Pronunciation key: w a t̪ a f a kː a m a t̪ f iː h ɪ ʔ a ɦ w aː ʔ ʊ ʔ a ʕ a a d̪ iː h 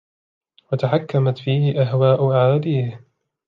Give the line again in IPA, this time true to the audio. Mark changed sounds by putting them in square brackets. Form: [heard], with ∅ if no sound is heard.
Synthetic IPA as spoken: w a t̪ a [ħ] a kː a m a t̪ f iː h ɪ ʔ a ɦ w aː ʔ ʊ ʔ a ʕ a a d̪ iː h